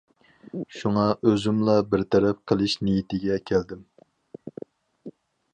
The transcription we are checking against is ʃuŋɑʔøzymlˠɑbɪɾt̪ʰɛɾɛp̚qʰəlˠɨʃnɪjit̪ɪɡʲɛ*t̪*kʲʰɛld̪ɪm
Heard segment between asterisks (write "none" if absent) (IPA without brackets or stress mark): none